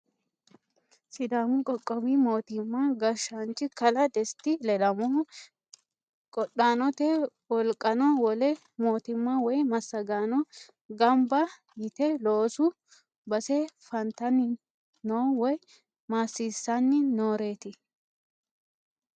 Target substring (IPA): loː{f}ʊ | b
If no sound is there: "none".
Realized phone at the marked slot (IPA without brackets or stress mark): s